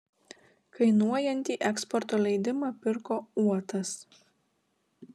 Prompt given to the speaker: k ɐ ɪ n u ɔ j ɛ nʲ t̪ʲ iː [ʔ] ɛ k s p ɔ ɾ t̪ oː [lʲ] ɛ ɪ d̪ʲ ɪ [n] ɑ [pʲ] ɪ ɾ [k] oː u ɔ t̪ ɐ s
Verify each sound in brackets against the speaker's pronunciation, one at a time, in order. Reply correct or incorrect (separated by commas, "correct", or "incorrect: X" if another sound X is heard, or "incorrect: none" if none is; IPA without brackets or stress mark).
correct, correct, incorrect: m, correct, correct